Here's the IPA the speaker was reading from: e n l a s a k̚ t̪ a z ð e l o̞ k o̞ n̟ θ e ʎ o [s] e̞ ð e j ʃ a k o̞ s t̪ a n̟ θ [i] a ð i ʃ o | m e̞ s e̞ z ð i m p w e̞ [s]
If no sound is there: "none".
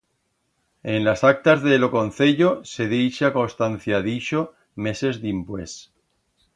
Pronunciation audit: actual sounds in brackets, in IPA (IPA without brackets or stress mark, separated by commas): s, j, s